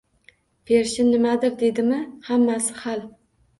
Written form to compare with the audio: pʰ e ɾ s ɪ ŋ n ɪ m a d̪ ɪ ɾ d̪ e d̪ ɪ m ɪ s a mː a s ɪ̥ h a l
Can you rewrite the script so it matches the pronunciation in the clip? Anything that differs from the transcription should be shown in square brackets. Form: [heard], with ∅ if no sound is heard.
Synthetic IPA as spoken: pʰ e ɾ [ʃ] ɪ [n] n ɪ m a d̪ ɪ ɾ d̪ e d̪ ɪ m ɪ [h] a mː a s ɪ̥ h a l